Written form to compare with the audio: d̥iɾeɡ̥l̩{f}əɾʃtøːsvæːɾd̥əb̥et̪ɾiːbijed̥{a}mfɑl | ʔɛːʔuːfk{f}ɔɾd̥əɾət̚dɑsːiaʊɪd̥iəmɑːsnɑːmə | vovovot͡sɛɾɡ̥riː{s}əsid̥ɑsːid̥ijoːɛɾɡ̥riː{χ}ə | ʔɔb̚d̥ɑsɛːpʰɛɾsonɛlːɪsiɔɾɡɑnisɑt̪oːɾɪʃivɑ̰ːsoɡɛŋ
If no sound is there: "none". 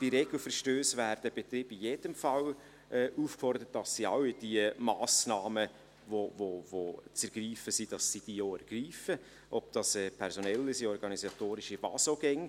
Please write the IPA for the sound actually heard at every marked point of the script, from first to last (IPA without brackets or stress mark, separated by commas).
f, ə, f, f, f